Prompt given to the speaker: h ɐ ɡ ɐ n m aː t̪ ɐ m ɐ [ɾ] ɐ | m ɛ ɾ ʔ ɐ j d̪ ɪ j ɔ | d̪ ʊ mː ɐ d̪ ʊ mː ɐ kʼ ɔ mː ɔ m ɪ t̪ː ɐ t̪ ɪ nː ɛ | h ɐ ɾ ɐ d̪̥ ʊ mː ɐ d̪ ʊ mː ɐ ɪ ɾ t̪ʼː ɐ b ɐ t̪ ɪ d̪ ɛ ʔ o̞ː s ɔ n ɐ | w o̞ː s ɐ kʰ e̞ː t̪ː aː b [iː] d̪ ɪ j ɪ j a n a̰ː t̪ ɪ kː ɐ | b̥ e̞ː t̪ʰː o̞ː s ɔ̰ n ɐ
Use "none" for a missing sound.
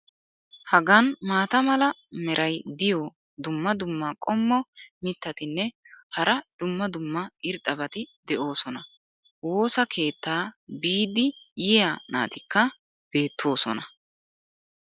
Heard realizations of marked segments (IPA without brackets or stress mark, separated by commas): l, iː